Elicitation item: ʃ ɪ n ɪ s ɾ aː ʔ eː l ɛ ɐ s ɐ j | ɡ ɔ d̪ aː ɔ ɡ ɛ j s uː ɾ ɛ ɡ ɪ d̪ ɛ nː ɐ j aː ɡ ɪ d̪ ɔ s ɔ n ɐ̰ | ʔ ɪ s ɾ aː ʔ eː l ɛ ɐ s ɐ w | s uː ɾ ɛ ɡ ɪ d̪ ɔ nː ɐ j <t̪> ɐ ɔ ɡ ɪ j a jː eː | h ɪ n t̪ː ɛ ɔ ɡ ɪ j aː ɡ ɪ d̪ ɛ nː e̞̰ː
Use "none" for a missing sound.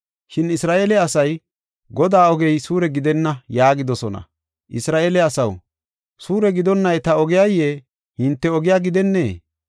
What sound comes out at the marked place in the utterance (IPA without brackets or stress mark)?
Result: t̪